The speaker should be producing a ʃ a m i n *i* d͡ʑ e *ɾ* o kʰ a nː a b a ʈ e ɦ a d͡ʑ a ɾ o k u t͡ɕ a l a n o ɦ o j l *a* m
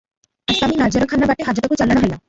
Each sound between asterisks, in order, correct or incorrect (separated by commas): incorrect, correct, correct